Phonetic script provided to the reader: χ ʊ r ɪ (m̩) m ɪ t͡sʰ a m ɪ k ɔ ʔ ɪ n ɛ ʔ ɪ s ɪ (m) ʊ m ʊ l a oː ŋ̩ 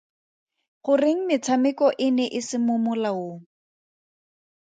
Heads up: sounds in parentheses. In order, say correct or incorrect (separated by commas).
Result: incorrect, correct